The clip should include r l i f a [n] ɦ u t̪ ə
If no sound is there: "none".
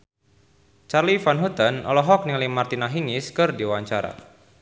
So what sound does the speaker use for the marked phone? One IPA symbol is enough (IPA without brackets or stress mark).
n